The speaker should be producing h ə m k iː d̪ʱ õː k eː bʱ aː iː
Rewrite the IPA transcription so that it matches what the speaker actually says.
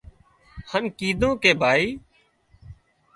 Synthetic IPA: h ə n k iː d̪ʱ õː k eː bʱ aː iː